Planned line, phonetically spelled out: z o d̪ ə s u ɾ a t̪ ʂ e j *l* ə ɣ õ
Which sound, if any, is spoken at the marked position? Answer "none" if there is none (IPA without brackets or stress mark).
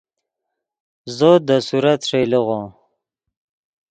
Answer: l